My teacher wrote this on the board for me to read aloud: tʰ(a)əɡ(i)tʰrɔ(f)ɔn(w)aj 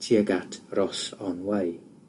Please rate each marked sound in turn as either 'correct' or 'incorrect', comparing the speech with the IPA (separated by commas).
incorrect, incorrect, incorrect, correct